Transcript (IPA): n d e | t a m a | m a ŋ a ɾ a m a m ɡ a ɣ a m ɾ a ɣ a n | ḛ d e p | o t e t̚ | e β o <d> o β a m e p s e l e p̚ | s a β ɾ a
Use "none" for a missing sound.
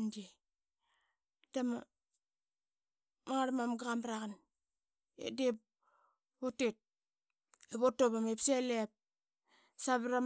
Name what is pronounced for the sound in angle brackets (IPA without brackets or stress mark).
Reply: t